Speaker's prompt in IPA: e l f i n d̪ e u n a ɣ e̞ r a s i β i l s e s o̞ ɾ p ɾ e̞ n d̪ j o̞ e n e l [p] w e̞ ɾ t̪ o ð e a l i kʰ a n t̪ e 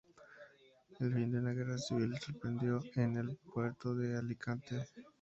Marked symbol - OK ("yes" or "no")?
yes